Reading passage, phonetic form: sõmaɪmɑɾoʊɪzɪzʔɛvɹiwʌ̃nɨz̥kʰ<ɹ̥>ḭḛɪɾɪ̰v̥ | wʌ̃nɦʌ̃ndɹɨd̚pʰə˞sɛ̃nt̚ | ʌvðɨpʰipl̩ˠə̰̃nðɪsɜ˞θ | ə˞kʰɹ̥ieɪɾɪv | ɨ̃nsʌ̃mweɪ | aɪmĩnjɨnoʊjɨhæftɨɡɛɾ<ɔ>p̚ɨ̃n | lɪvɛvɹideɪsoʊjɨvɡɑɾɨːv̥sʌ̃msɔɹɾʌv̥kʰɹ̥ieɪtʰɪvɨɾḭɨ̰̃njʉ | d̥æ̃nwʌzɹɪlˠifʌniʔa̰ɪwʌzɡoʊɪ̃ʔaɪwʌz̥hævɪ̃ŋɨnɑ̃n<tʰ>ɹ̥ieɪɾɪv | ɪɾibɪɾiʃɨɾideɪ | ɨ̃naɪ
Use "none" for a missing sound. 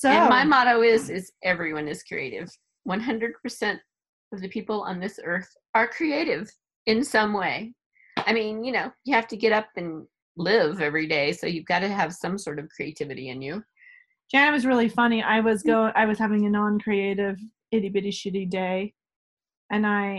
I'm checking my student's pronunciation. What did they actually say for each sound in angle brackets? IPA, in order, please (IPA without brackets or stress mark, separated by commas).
ɹ̥, ʌ, kʰ